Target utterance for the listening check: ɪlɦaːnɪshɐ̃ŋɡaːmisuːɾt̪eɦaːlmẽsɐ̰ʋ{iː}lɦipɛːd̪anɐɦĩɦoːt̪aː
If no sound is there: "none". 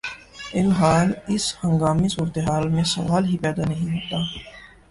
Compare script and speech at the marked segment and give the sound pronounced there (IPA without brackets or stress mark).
aː